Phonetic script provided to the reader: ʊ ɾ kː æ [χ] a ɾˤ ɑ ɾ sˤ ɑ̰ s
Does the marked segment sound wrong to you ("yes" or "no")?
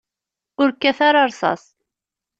yes